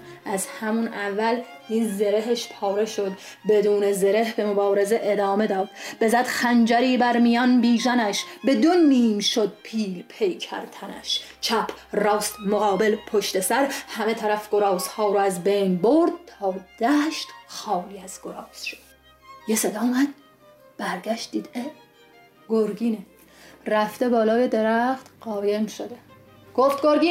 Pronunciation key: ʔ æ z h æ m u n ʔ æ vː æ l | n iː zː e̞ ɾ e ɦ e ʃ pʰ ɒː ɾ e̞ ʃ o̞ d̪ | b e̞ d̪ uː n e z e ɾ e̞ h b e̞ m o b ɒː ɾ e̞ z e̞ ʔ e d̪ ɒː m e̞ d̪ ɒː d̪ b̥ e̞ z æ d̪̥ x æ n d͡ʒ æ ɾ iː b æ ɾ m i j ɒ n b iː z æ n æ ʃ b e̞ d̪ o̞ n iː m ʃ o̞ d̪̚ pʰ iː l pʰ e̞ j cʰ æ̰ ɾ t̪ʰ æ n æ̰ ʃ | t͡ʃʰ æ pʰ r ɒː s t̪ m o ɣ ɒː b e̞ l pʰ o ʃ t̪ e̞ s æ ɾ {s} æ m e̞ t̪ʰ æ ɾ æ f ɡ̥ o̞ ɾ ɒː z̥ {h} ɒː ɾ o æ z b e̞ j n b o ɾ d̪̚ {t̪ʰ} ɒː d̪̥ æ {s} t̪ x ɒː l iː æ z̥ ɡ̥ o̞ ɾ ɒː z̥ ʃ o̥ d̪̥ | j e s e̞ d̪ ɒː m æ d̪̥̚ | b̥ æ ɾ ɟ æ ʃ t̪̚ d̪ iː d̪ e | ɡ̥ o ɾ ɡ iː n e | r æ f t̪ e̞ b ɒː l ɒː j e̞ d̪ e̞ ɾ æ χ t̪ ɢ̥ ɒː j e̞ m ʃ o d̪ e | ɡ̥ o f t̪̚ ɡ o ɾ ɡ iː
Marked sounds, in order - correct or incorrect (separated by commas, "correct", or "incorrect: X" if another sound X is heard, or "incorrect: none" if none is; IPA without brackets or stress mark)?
incorrect: h, correct, correct, incorrect: ʃ